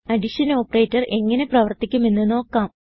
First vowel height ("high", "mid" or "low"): low